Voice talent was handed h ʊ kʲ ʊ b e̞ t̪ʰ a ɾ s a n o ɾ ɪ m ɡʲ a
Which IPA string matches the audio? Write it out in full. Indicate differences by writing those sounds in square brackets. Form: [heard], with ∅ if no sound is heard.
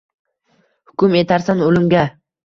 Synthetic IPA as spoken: h ʊ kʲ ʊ [m] e̞ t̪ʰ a ɾ s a n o [l] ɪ m ɡʲ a